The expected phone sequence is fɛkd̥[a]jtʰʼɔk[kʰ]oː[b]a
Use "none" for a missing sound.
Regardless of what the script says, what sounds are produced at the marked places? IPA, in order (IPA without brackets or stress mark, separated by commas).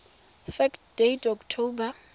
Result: e, tʰ, b